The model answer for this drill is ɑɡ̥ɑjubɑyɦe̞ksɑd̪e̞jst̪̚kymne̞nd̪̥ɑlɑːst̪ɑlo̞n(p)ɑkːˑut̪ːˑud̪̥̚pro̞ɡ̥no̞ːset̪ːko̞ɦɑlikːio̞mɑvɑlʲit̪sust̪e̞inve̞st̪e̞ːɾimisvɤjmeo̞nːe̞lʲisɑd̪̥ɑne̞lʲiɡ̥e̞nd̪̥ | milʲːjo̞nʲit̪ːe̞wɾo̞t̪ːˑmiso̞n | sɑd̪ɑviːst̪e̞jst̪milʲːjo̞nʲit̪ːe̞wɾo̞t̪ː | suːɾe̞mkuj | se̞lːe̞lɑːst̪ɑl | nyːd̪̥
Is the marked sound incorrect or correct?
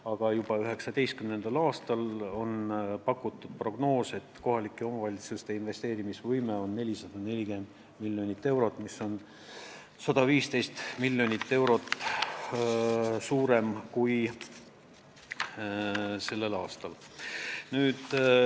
correct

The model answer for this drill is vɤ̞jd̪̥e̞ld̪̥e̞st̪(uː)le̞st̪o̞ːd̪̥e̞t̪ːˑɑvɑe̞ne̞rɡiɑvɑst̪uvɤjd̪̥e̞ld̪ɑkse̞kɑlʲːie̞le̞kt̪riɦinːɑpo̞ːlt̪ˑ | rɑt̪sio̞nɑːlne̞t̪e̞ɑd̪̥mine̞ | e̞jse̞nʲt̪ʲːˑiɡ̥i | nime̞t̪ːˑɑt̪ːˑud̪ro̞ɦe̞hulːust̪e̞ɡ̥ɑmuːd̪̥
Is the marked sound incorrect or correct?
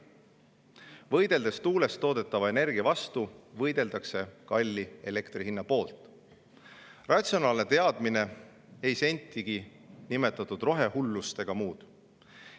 correct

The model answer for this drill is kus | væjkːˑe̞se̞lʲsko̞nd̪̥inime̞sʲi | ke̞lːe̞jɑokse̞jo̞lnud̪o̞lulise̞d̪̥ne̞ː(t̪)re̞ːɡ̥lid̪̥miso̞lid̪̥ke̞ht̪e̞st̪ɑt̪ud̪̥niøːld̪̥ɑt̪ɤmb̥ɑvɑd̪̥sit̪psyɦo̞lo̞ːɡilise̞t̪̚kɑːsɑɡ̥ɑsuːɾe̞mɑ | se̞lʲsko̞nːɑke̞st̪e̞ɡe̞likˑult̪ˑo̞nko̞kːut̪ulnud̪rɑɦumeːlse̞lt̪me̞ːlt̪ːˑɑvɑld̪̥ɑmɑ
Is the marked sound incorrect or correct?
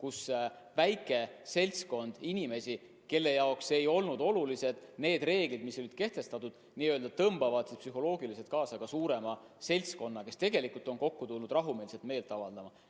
incorrect: d̪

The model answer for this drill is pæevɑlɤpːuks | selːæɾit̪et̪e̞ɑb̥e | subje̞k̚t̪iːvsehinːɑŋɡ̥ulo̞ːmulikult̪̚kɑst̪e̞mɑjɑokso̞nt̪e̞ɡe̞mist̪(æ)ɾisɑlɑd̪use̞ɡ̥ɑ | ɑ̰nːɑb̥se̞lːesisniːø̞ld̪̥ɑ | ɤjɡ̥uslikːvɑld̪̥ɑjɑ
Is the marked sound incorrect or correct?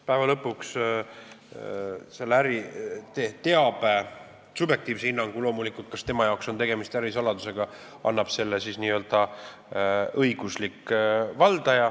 correct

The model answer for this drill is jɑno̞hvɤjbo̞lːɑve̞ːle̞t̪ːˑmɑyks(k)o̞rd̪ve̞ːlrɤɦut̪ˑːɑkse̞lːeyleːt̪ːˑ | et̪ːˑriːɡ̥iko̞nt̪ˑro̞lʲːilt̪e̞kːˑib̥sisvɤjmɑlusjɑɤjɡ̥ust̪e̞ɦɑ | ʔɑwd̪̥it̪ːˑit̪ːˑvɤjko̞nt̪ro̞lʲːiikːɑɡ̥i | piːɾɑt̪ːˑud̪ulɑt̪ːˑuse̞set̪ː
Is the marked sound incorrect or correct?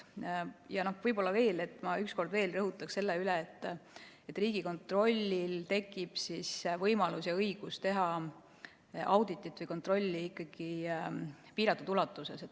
correct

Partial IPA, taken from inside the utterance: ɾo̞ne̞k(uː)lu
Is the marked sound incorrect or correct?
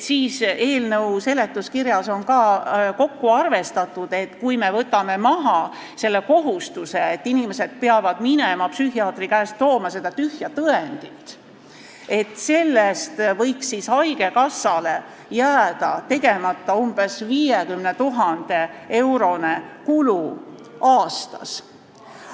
incorrect: u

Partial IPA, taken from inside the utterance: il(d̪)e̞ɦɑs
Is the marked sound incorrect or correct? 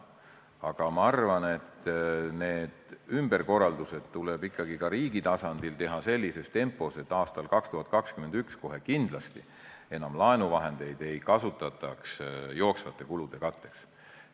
incorrect: t̪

